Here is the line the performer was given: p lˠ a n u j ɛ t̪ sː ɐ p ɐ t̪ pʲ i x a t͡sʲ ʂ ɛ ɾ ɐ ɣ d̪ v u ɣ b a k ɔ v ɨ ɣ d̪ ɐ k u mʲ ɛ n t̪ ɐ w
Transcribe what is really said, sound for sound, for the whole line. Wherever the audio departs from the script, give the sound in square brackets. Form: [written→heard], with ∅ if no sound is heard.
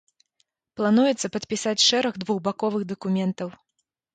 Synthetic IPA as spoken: p lˠ a n u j ɛ t̪ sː ɐ p ɐ t̪ pʲ i [x→s] a t͡sʲ ʂ ɛ ɾ ɐ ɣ d̪ v u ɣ b a k ɔ v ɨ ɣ d̪ ɐ k u mʲ ɛ n t̪ ɐ w